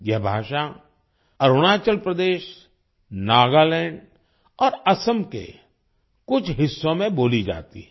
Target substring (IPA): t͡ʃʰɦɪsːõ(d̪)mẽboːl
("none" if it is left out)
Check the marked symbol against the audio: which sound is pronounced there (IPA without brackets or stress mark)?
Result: none